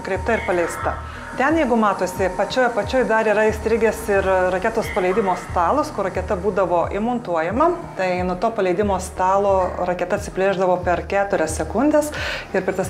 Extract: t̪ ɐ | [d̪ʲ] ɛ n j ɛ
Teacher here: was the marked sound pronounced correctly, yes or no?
no